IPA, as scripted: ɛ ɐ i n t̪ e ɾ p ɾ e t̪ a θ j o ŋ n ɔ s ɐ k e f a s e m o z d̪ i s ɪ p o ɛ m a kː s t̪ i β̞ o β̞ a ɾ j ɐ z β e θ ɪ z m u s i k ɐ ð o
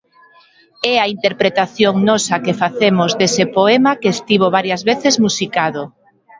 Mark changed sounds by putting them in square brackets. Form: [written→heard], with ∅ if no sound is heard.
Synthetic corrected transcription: ɛ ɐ i n t̪ e ɾ p ɾ e t̪ a θ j o ŋ n ɔ s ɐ k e f a [s→θ] e m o z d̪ [i→e] s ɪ p o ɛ m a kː s t̪ i β̞ o β̞ a ɾ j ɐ z β e θ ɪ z m u s i k [ɐ→a] ð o